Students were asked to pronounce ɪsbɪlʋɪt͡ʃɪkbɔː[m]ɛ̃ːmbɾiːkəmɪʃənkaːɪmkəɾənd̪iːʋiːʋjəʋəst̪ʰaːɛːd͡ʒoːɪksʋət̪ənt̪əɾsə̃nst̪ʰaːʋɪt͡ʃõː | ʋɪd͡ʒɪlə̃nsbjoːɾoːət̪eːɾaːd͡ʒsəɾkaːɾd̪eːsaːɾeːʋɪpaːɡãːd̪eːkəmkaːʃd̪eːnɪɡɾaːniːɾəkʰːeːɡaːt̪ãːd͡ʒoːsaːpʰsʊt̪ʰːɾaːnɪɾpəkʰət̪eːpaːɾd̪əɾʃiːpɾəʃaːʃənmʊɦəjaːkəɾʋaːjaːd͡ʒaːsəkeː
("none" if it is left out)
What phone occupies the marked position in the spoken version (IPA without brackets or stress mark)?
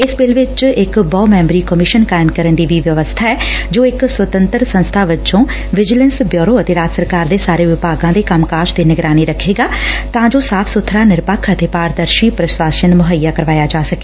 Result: m